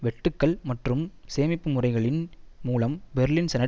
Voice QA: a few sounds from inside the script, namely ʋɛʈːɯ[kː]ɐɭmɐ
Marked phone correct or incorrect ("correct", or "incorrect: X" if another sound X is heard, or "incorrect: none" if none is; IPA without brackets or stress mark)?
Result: correct